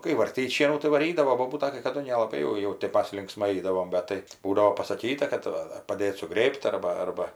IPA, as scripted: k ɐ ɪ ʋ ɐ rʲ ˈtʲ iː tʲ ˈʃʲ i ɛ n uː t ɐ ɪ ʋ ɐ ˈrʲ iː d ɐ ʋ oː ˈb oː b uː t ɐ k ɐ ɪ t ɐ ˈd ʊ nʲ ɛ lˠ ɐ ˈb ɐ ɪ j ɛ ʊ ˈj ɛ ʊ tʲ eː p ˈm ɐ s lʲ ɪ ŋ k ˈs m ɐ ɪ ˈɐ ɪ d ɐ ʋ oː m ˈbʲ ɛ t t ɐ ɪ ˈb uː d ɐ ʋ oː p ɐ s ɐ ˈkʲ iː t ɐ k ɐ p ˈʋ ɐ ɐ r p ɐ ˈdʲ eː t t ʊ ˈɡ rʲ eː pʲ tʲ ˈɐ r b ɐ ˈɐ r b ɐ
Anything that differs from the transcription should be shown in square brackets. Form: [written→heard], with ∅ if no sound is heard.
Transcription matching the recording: k ɐ ɪ ʋ ɐ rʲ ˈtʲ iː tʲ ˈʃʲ i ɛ n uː t ɐ ɪ ʋ ɐ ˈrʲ iː d ɐ ʋ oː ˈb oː b uː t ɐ k ɐ ɪ [t→k] ɐ ˈd ʊ nʲ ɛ lˠ ɐ ˈb ɐ ɪ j ɛ ʊ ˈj ɛ ʊ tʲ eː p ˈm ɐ s lʲ ɪ ŋ k ˈs m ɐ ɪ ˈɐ ɪ d ɐ ʋ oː m ˈbʲ ɛ t t ɐ ɪ ˈb uː d ɐ ʋ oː p ɐ s ɐ ˈkʲ iː t ɐ k ɐ [p→t] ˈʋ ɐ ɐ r p ɐ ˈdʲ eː t [t→s] ʊ ˈɡ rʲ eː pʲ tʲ ˈɐ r b ɐ ˈɐ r b ɐ